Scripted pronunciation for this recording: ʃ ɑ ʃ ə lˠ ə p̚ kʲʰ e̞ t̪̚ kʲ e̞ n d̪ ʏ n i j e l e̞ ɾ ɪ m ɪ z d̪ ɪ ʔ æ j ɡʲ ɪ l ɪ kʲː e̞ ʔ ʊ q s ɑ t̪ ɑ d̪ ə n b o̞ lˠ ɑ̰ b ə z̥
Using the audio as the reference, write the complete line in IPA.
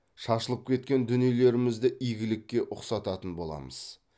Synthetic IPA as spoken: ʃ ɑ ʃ ə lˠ ə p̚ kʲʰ e̞ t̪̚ kʲ e̞ n d̪ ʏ n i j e l e̞ ɾ ɪ m ɪ z d̪ ɪ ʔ i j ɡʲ ɪ l ɪ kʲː e̞ ʔ ʊ q s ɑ t̪ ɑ t̪ ə n b o̞ lˠ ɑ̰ m ə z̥